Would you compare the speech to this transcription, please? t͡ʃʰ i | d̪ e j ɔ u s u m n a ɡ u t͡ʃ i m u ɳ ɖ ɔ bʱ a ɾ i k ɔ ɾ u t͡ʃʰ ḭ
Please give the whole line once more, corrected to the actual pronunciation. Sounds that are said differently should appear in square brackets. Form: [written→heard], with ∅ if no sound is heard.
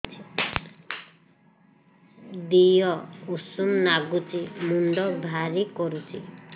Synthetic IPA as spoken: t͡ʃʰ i | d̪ [e→i] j ɔ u s u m n a ɡ u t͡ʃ i m u ɳ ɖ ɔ bʱ a ɾ i k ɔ ɾ u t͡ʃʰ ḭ